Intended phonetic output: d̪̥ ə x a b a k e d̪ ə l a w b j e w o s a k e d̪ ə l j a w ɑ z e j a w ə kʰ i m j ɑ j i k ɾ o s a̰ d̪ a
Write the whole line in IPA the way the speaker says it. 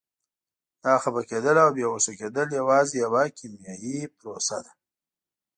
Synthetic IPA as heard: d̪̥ ɑ x a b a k e d̪ ə l a w b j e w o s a k e d̪ ə l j a w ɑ z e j a w a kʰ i m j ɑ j i p ɾ o s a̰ d̪ a